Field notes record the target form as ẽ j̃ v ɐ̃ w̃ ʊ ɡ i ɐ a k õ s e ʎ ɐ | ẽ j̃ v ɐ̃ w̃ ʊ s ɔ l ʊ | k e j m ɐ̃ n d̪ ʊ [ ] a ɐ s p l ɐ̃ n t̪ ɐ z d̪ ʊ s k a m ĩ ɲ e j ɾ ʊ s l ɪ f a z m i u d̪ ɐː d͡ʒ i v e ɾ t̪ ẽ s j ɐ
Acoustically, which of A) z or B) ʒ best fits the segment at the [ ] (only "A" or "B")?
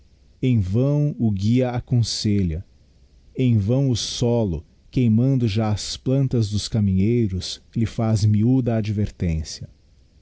B